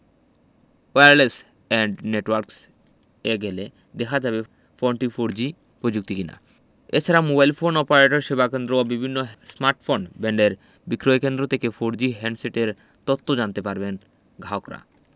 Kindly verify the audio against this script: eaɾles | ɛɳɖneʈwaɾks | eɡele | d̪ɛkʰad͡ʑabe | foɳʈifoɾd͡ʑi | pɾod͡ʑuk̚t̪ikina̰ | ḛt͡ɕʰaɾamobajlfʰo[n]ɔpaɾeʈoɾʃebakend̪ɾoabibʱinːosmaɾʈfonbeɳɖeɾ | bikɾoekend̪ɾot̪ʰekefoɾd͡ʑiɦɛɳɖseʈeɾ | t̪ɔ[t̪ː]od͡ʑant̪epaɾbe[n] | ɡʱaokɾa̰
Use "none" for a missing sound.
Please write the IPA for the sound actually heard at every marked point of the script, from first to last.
n, t̪ː, n

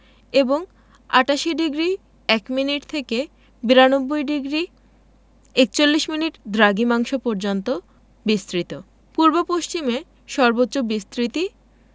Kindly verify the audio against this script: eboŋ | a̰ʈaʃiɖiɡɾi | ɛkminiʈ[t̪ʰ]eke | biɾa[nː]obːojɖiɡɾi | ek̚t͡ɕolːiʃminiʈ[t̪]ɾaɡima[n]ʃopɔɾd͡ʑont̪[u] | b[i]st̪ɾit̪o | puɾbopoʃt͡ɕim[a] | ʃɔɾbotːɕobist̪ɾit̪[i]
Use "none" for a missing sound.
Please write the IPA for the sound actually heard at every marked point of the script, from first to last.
t̪ʰ, n, d̪, ŋ, o, i, e, i

